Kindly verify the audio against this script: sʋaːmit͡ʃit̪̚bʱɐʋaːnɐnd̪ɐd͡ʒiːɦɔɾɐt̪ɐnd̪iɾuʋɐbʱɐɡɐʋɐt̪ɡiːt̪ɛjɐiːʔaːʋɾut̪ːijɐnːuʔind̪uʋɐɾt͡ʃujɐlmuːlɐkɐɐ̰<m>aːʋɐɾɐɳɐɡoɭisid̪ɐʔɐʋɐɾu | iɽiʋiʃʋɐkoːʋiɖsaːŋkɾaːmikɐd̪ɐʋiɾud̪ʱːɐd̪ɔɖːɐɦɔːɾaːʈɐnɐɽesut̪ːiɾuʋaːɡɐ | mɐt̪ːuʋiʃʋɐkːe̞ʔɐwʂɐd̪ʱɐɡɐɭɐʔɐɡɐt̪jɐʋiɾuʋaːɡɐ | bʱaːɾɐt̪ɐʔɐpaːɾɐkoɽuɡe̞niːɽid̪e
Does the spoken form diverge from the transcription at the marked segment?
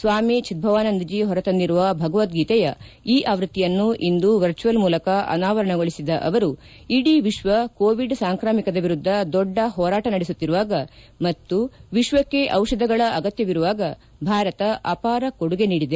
yes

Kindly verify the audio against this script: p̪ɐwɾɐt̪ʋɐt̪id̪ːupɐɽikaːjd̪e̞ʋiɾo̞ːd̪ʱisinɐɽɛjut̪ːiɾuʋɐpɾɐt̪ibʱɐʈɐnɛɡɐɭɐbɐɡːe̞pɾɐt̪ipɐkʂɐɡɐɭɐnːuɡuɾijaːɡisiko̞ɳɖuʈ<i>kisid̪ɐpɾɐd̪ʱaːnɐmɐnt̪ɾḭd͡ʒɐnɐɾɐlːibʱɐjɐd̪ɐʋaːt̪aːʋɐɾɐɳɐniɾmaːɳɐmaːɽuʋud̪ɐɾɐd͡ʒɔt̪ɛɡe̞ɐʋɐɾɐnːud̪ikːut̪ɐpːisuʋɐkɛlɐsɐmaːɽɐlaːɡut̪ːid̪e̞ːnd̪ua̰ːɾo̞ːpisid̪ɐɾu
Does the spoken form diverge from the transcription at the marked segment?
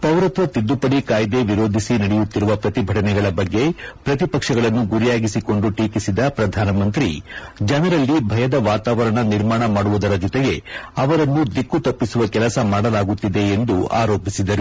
yes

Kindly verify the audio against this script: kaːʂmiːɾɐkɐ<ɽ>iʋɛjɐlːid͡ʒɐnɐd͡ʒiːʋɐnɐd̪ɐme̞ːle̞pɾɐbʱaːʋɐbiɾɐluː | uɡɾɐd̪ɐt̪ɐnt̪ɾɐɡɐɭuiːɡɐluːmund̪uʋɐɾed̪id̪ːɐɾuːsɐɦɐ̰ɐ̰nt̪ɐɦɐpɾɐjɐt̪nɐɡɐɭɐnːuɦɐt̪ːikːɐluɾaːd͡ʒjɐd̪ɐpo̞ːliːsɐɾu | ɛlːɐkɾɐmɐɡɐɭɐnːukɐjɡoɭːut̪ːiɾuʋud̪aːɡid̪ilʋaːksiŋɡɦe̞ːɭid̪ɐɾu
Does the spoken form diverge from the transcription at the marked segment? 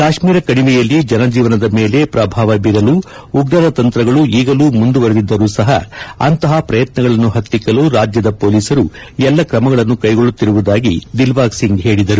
no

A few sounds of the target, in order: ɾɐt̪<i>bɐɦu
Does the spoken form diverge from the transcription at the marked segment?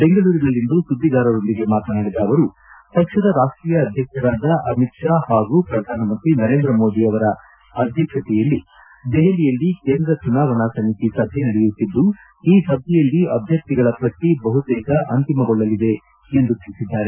no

